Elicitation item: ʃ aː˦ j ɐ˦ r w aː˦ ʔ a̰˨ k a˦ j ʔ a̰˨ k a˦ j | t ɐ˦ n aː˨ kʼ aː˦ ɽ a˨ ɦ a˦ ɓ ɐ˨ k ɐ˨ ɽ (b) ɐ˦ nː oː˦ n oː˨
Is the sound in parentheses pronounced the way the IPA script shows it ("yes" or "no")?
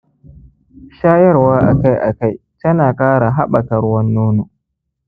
no